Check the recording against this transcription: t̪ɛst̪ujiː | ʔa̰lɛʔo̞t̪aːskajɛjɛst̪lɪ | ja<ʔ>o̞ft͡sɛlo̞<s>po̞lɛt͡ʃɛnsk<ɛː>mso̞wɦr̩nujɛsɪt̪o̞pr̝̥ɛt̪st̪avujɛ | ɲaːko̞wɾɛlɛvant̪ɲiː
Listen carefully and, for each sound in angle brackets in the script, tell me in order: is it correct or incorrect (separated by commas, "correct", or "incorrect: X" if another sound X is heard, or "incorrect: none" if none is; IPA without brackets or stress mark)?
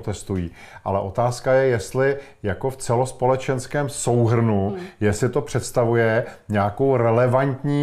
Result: incorrect: k, correct, correct